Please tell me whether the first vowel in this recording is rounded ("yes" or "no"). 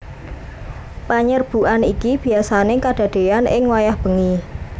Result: no